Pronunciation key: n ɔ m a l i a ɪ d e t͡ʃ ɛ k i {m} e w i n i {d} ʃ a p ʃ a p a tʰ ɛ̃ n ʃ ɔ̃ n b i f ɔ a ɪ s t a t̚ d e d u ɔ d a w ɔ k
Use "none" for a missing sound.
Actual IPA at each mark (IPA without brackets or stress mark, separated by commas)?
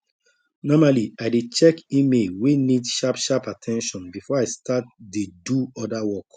m, d